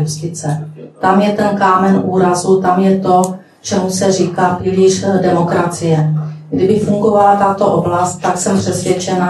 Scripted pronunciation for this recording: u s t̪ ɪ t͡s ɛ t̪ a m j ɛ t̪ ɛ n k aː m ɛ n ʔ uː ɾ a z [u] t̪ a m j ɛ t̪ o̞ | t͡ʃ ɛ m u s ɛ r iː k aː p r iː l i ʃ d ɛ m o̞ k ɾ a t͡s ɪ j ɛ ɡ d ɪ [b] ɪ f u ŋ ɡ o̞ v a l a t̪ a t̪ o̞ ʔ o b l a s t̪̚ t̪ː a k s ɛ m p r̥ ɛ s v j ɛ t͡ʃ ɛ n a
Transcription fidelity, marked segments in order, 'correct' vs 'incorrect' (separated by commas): correct, correct